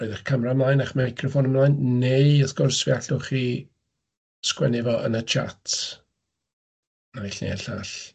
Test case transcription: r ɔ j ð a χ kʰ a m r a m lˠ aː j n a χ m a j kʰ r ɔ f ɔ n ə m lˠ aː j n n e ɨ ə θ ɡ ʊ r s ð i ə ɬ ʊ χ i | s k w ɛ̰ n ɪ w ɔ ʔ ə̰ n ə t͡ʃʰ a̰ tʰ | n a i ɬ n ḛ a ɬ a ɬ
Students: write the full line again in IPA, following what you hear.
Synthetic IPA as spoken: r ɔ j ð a χ kʰ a m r a m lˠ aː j n a χ m a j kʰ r ɔ f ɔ n ə m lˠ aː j n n e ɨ ə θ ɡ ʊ r s v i a ɬ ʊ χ i | s k w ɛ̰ n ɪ v ɔ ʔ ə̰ n ə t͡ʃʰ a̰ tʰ | n a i ɬ n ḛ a ɬ a ɬ